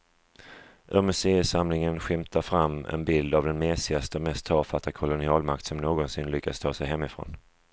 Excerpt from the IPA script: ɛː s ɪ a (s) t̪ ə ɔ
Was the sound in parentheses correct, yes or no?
yes